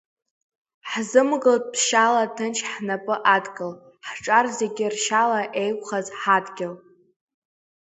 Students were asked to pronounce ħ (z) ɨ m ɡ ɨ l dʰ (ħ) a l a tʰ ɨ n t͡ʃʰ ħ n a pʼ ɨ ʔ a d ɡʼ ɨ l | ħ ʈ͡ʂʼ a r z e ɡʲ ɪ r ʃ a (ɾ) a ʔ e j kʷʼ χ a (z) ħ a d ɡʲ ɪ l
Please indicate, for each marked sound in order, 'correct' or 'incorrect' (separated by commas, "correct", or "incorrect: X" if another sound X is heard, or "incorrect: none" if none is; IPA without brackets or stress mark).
correct, incorrect: ʃ, incorrect: l, correct